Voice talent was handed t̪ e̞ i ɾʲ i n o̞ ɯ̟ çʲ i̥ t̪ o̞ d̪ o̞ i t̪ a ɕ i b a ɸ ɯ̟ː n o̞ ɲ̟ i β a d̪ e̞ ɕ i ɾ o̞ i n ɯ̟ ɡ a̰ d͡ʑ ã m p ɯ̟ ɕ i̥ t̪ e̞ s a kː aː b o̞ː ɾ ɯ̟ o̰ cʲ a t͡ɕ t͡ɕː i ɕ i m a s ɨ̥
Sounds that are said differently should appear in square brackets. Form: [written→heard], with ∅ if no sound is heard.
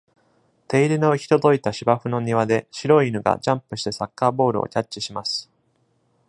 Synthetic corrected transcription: t̪ e̞ i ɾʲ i n o̞ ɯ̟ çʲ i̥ t̪ o̞ d̪ o̞ i t̪ a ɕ i b a ɸ [ɯ̟ː→ɯ̟] n o̞ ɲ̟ i β a d̪ e̞ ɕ i ɾ o̞ i n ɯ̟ ɡ a̰ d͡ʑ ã m p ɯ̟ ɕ i̥ t̪ e̞ s a kː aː b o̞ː ɾ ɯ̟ o̰ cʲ a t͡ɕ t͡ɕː i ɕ i m a s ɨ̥